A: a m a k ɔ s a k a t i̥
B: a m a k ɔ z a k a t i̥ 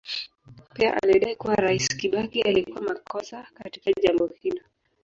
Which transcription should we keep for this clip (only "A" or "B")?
A